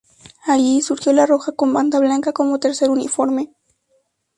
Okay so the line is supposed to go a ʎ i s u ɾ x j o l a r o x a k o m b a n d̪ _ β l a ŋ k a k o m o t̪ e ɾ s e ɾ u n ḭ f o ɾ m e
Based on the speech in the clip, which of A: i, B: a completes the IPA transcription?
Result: B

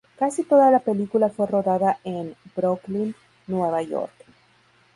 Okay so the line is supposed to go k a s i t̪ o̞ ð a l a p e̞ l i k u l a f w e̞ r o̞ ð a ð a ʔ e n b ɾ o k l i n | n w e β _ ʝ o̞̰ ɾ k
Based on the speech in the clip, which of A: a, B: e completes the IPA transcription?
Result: A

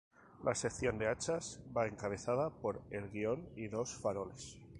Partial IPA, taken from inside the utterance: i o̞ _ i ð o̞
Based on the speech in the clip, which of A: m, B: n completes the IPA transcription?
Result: B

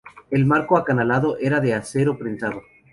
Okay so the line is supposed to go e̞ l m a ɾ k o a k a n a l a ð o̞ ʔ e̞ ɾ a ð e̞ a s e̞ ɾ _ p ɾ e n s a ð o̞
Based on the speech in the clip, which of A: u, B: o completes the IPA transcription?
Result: B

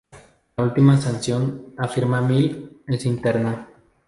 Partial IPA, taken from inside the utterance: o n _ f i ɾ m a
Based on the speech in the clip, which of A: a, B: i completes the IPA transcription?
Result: A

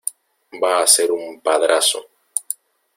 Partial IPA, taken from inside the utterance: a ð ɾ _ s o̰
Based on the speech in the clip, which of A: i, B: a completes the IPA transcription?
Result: B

